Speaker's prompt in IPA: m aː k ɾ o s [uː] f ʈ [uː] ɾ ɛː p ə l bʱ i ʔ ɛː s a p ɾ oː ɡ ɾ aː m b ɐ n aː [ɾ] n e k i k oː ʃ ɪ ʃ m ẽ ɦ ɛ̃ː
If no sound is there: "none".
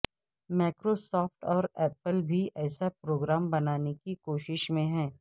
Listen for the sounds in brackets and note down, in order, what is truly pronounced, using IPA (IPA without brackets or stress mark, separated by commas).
ɔː, ɔː, none